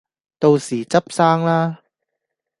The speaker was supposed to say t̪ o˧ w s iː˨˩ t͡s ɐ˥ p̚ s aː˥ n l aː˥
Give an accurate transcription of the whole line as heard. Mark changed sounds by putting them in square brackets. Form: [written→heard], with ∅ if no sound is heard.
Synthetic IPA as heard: t̪ o˧ w s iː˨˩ t͡s ɐ˥ p̚ s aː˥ [n→ŋ] l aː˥

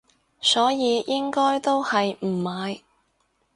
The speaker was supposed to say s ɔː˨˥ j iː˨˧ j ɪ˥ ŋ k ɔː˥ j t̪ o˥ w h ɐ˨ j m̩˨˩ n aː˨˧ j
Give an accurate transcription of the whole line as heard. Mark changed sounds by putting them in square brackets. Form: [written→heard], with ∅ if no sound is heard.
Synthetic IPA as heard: s ɔː˨˥ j iː˨˧ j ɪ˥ ŋ k ɔː˥ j t̪ o˥ w h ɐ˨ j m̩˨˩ [n→m] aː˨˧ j

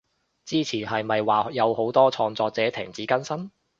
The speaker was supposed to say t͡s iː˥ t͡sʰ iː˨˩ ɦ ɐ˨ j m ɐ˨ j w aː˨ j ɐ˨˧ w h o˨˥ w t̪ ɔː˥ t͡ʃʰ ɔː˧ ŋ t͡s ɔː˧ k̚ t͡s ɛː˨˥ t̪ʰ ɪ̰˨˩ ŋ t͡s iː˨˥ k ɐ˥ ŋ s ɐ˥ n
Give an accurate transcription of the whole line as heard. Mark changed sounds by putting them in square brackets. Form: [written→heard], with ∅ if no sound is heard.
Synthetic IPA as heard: t͡s iː˥ t͡sʰ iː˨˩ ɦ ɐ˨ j m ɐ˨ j w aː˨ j ɐ˨˧ w h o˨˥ w t̪ ɔː˥ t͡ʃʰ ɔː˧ ŋ t͡s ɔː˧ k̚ t͡s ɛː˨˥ t̪ʰ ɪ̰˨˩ ŋ t͡s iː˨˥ k ɐ˥ [ŋ→n] s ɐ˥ n

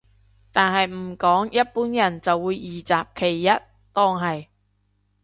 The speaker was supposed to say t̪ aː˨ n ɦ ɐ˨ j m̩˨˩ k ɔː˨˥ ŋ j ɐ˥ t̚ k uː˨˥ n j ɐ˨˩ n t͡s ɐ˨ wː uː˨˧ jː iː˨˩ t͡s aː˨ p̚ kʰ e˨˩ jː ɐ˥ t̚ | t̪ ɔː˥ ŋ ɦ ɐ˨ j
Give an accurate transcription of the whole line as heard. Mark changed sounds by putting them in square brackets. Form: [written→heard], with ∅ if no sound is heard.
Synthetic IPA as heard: t̪ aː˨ n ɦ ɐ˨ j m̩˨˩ k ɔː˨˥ ŋ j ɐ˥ t̚ [k→p] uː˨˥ n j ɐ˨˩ n t͡s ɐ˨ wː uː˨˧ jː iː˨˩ t͡s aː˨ p̚ kʰ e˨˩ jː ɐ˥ t̚ | t̪ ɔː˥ ŋ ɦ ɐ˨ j

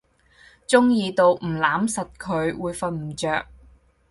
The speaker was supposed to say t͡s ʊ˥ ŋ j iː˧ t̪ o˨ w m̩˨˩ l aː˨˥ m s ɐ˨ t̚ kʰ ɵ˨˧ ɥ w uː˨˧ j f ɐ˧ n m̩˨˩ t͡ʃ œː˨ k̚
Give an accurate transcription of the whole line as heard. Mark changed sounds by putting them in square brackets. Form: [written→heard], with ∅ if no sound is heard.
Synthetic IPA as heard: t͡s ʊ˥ ŋ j iː˧ t̪ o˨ w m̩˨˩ l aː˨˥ m s ɐ˨ t̚ kʰ ɵ˨˧ ɥ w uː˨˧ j f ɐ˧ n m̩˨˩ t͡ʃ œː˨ k̚

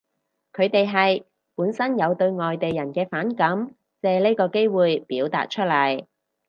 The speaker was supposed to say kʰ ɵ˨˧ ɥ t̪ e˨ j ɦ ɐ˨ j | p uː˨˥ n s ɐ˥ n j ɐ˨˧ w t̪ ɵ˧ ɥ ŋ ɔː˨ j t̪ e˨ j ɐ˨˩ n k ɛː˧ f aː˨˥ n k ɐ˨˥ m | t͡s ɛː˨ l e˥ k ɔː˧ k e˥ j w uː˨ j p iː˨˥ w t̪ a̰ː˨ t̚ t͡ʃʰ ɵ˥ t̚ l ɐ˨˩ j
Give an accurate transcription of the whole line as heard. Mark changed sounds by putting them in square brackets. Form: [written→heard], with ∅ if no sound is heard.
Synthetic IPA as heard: kʰ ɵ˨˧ ɥ t̪ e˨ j ɦ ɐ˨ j | p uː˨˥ n s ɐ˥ n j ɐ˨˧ w t̪ ɵ˧ ɥ ŋ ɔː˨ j t̪ e˨ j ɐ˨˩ n k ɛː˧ f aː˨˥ n k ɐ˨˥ m | t͡s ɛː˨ l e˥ k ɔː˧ k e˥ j w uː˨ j p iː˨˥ w t̪ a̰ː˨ t̚ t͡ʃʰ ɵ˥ t̚ l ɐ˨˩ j

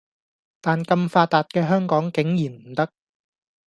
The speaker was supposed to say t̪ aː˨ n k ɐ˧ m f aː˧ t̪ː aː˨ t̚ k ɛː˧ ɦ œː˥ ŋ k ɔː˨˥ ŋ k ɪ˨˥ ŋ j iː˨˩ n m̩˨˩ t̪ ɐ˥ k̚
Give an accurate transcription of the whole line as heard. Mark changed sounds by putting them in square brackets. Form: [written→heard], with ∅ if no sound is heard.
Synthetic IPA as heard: t̪ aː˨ n k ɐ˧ m f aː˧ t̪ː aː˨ t̚ k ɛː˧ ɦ œː˥ ŋ k ɔː˨˥ ŋ k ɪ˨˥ ŋ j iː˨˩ n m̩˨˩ t̪ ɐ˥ k̚

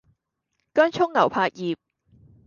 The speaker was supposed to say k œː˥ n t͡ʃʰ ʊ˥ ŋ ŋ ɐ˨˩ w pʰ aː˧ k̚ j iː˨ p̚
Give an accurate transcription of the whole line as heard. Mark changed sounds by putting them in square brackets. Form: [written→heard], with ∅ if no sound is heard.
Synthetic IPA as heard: k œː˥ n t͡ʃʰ ʊ˥ ŋ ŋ ɐ˨˩ w pʰ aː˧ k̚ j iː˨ p̚

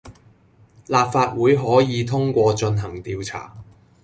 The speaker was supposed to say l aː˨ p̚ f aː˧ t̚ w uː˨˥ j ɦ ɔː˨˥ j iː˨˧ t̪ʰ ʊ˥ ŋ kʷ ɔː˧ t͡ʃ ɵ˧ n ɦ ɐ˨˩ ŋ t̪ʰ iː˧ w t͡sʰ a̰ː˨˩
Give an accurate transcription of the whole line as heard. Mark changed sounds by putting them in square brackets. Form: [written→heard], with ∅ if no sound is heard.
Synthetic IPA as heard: l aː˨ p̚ f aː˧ t̚ w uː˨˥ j ɦ ɔː˨˥ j iː˨˧ t̪ʰ ʊ˥ ŋ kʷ ɔː˧ t͡ʃ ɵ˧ n ɦ ɐ˨˩ ŋ [t̪ʰ→t̪] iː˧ w t͡sʰ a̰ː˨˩

